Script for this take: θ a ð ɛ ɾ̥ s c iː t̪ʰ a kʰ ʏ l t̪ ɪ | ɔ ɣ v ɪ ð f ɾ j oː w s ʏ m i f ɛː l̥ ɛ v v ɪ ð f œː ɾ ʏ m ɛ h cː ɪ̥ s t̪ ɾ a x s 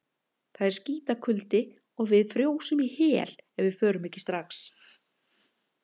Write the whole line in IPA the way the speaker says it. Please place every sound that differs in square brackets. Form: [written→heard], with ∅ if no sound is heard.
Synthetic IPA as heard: θ a ð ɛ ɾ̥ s c iː [t̪ʰ→t̪] a kʰ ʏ l t̪ ɪ | ɔ ɣ v ɪ ð f ɾ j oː w s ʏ m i [f→h] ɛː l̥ ɛ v v ɪ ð f œː ɾ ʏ m ɛ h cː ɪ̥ s t̪ ɾ a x s